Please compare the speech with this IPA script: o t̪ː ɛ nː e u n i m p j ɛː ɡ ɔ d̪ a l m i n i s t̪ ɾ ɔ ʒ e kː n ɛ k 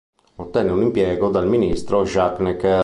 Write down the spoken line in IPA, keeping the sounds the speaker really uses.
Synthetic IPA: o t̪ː ɛ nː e u n i m p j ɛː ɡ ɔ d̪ a l m i n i s t̪ ɾ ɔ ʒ a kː n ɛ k